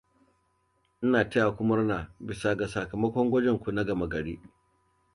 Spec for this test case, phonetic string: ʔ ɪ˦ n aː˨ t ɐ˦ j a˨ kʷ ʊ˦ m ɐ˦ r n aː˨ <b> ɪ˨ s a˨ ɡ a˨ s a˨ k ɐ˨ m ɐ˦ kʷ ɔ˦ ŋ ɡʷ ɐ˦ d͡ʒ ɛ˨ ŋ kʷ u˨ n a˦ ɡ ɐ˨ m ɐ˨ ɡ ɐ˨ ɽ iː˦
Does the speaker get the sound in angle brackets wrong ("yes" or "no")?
no